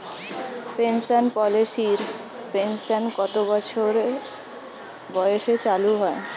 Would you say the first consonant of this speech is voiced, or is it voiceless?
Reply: voiceless